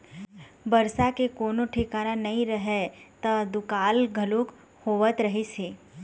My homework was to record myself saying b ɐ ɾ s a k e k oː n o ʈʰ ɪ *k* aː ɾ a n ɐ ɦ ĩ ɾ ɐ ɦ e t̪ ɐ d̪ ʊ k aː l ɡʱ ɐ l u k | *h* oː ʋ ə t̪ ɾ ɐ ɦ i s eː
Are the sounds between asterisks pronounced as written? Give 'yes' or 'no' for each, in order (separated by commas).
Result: yes, yes